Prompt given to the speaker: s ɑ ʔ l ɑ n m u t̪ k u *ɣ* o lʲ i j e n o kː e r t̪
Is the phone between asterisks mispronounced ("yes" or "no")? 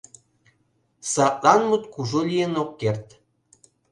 yes